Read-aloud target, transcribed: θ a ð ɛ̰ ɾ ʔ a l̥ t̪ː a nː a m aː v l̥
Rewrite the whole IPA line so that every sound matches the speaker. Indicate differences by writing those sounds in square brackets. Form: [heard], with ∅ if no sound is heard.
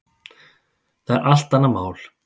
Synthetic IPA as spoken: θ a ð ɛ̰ ɾ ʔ a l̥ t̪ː a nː a m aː [w] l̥